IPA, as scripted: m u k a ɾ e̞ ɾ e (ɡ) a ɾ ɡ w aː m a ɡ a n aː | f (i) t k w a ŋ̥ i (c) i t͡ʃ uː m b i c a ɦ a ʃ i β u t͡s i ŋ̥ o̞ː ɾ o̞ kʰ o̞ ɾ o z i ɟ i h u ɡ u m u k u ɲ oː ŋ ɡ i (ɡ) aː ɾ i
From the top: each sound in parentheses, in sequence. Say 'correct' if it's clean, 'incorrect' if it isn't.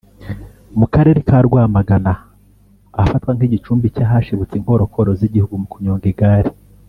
incorrect: k, incorrect: a, incorrect: ɟ, correct

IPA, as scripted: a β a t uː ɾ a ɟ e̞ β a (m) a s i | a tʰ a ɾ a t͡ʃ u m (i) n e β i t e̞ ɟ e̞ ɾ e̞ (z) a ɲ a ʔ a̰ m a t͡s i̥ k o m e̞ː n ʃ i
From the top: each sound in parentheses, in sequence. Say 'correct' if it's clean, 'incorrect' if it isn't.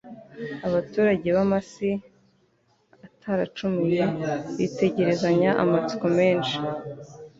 correct, correct, correct

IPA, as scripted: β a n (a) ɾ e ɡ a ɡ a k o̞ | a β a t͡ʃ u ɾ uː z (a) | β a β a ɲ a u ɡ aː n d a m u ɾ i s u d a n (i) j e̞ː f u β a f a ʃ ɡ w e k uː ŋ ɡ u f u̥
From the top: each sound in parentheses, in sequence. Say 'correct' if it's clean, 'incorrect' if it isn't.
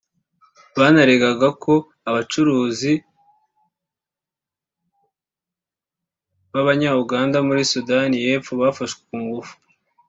correct, incorrect: i, correct

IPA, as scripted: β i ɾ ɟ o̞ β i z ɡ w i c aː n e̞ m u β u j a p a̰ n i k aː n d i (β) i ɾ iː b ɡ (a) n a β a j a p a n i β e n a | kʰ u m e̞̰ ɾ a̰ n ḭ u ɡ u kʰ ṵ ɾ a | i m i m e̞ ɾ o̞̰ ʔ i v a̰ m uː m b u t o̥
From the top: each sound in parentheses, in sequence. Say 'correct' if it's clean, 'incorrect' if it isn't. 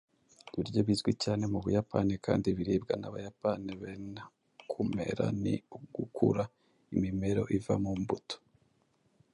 correct, correct

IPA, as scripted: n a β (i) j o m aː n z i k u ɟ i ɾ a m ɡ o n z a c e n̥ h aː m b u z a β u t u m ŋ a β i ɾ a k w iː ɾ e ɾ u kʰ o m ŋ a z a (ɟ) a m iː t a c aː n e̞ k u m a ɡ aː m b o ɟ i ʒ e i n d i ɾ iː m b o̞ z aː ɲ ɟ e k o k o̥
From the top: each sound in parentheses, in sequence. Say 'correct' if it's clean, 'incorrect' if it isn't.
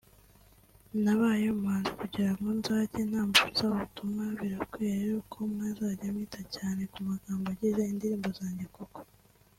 incorrect: a, correct

